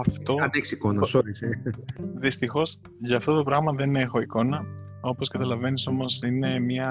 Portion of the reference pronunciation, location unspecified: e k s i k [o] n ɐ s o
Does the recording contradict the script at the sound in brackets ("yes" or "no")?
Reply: no